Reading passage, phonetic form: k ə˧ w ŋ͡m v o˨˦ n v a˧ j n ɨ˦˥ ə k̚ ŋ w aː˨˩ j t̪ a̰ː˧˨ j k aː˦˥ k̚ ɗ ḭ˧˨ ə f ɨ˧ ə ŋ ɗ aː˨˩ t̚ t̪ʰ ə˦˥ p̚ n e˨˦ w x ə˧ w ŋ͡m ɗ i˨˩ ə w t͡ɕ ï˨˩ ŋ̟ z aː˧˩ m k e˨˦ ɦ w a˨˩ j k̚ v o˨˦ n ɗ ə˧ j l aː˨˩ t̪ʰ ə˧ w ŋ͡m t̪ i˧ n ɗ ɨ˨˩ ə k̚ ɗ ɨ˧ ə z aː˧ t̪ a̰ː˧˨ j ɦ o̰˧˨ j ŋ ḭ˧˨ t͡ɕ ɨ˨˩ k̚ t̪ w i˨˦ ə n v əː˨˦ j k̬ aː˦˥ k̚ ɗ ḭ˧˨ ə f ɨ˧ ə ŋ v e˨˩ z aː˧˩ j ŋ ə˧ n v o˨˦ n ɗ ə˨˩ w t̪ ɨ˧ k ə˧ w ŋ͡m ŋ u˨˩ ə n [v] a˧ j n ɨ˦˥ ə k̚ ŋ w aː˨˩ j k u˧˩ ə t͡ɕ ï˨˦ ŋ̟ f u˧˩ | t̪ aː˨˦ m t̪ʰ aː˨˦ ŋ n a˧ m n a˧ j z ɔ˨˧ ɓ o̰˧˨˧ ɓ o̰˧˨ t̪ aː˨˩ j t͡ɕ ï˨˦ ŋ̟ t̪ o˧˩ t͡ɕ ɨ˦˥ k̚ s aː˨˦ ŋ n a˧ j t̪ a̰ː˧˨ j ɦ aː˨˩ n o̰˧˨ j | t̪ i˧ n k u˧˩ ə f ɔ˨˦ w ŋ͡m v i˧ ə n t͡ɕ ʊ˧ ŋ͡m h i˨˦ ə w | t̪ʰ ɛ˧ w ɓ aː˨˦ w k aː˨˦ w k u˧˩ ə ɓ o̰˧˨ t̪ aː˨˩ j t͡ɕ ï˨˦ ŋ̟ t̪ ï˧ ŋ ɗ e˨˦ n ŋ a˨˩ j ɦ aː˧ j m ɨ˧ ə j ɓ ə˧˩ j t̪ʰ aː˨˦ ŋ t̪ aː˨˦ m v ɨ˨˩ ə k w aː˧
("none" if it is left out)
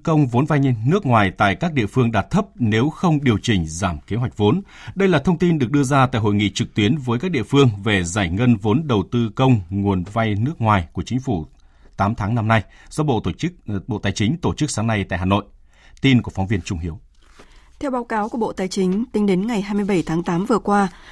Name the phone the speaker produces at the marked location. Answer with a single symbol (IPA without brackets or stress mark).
v